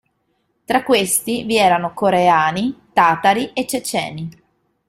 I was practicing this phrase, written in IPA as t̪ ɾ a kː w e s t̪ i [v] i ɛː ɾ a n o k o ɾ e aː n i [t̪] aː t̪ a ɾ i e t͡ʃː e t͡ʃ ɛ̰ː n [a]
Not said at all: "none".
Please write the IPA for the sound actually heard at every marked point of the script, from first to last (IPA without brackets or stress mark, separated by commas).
v, t̪, i